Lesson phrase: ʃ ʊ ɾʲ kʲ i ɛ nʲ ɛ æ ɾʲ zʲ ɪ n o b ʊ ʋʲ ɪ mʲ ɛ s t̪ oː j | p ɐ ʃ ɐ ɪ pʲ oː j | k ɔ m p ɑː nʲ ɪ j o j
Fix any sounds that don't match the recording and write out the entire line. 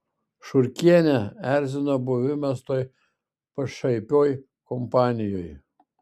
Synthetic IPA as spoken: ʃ ʊ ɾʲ kʲ i ɛ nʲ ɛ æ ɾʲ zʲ ɪ n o b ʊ ʋʲ ɪ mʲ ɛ s t̪ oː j | p ɐ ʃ ɐ ɪ pʲ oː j | k ɔ m p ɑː nʲ ɪ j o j